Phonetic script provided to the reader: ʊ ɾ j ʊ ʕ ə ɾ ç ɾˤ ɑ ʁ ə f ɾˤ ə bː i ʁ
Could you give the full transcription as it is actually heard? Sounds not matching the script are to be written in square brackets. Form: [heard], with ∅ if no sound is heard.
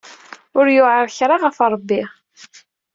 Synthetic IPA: ʊ ɾ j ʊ ʕ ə ɾ ç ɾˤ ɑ ʁ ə f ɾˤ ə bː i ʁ